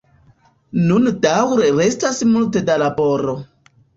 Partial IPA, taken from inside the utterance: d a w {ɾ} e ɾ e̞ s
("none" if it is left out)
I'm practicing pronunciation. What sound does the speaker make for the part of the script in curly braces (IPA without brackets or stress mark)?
ɾ